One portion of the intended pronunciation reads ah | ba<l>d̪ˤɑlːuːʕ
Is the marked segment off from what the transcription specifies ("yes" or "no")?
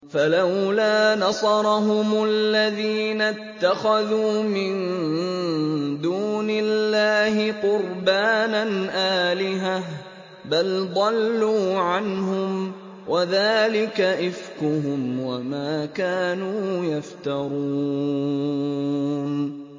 no